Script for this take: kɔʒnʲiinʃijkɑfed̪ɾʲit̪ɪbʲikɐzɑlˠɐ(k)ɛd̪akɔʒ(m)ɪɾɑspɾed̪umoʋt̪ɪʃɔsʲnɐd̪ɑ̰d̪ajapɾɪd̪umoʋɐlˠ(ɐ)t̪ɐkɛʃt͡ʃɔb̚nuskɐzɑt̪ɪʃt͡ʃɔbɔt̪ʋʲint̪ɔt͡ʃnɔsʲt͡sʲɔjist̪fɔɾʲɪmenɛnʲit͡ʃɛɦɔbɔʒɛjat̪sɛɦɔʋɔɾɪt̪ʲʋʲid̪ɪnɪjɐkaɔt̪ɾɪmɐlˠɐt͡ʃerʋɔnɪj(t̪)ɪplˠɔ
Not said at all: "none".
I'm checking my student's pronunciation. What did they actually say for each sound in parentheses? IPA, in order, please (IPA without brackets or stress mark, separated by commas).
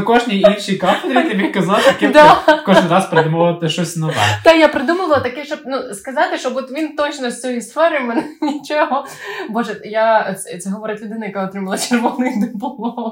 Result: k, n, ɐ, d̪